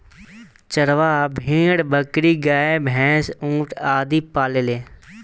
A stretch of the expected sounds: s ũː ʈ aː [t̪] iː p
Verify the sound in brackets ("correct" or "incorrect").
incorrect